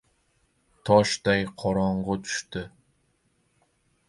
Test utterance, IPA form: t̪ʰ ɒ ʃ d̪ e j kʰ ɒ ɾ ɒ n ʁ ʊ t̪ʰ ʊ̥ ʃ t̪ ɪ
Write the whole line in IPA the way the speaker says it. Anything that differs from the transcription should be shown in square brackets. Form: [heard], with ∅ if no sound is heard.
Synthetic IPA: t̪ʰ ɒ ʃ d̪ [a] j [qʰ] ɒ ɾ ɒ [ɴ] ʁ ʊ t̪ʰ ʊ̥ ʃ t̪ ɪ